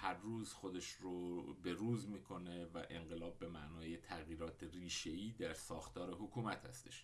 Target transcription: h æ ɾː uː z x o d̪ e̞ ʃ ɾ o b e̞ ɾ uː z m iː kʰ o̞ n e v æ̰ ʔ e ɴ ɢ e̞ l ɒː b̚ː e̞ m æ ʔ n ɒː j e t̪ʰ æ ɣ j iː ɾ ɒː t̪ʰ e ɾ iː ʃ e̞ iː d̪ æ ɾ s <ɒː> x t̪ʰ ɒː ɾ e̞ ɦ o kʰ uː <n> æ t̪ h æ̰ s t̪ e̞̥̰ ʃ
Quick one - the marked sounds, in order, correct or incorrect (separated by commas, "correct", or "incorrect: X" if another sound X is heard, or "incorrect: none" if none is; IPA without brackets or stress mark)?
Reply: correct, incorrect: m